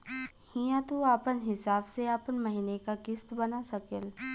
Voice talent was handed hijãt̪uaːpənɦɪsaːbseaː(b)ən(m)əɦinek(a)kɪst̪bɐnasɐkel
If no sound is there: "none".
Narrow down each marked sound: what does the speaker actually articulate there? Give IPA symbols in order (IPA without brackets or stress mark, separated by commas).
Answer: p, m, a